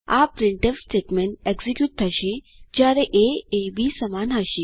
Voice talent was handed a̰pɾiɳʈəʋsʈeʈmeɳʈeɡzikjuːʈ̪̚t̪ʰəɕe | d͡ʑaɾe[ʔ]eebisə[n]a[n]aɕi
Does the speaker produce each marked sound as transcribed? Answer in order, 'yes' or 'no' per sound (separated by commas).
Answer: yes, no, yes